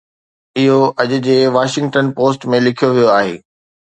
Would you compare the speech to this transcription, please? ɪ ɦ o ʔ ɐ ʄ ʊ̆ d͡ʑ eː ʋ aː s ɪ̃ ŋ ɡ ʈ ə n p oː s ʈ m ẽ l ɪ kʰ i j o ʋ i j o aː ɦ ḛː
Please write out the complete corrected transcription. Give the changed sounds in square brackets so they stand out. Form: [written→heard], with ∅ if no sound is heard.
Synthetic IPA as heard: ɪ ɦ o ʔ ɐ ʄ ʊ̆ d͡ʑ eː ʋ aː [s→ʃ] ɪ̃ ŋ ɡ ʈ ə n p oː s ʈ m ẽ l ɪ kʰ i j o ʋ i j o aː ɦ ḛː